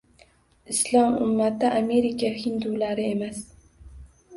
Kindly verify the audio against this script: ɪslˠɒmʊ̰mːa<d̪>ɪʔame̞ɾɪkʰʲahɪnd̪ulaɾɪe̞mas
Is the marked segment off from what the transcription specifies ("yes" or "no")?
yes